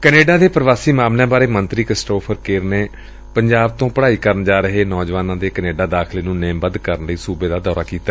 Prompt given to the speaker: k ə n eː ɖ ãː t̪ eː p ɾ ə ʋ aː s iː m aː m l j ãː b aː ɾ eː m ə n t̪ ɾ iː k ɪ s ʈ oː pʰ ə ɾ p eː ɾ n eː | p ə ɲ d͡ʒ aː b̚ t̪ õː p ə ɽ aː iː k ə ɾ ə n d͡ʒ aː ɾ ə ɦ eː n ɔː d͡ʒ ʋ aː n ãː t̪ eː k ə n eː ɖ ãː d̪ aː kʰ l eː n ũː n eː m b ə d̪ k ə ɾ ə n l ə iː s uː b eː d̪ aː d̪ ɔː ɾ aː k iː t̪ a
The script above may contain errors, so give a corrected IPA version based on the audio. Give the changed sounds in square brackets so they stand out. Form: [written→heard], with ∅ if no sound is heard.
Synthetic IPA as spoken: k ə n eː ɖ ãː [t̪→d̪] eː p ɾ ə ʋ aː s iː m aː m l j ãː b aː ɾ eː m ə n t̪ ɾ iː k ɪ s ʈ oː pʰ ə ɾ [p→k] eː ɾ n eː | p ə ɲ d͡ʒ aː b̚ t̪ õː p ə ɽ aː iː k ə ɾ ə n d͡ʒ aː ɾ ə ɦ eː n ɔː d͡ʒ ʋ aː n ãː [t̪→d̪] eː k ə n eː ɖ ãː d̪ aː kʰ l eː n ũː n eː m b ə d̪ k ə ɾ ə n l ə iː s uː b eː d̪ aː d̪ ɔː ɾ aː k iː t̪ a